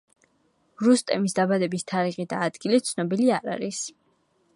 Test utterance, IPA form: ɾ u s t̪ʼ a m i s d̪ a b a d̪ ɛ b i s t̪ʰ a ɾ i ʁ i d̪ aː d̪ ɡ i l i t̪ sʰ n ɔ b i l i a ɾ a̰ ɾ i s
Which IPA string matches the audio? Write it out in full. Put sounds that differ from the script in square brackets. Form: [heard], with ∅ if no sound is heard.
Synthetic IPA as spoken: ɾ u s t̪ʼ [ɛ] m i s d̪ a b a d̪ ɛ b i s t̪ʰ a ɾ i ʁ i d̪ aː d̪ ɡ i l i t̪ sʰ n ɔ b i l i a ɾ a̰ ɾ i s